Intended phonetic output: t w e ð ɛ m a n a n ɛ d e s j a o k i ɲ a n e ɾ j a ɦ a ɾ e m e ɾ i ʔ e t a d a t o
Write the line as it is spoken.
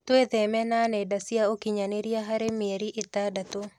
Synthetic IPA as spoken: t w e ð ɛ m ɛ n a n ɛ d a s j a o k i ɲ a n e ɾ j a ɦ a ɾ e m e ɾ i ʔ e t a d a t o